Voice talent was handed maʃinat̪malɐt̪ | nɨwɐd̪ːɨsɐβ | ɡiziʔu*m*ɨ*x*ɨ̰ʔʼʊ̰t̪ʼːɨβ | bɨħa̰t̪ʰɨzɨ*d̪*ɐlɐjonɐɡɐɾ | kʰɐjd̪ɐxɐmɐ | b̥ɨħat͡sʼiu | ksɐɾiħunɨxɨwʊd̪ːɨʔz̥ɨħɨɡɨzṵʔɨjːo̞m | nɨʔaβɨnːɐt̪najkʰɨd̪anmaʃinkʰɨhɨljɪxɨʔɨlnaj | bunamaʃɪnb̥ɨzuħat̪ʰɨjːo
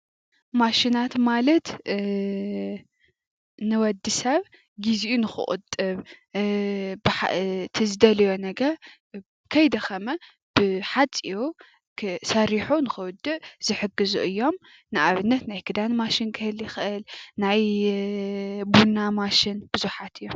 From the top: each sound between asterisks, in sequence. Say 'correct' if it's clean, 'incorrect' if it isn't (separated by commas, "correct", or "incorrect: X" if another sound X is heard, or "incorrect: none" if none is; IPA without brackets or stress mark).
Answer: incorrect: n, correct, correct